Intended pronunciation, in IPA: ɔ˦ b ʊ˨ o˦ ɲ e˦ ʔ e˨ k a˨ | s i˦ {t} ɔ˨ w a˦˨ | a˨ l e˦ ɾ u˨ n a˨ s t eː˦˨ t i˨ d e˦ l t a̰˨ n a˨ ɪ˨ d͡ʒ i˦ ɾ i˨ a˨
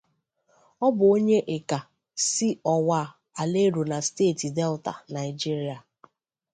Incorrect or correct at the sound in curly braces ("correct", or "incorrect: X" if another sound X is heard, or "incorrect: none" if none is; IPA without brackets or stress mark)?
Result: incorrect: none